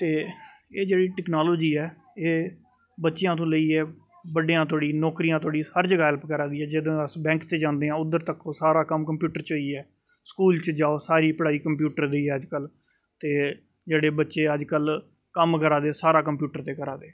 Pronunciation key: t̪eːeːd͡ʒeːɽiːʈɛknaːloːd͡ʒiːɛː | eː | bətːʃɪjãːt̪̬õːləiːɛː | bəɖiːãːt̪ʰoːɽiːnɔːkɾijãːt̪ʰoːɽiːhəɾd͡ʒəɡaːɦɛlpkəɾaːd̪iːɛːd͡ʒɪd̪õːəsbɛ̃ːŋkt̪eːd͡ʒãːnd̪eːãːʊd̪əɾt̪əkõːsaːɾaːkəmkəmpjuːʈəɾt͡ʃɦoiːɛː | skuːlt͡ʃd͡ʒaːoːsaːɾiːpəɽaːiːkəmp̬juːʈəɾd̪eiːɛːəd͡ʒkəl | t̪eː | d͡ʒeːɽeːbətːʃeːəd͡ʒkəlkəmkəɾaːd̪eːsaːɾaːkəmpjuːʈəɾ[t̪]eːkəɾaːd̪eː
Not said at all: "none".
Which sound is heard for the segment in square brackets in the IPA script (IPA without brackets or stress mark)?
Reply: t̪